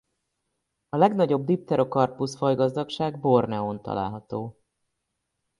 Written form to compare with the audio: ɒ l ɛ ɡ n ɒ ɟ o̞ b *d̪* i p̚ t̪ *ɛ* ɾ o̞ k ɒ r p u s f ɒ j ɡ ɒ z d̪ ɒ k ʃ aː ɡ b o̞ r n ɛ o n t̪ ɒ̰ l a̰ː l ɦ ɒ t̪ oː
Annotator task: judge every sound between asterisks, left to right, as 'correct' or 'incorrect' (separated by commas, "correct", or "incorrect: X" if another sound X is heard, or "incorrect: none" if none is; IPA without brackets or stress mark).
correct, correct